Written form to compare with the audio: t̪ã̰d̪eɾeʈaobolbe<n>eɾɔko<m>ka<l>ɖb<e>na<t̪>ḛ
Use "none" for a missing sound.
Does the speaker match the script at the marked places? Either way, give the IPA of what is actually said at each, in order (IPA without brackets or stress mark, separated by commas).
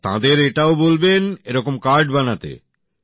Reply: n, m, ɾ, a, t̪